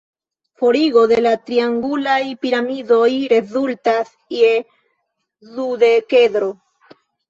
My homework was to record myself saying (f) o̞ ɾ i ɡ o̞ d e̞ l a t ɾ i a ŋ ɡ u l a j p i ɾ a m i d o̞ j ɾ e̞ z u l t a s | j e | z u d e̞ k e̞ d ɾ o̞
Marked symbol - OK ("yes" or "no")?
yes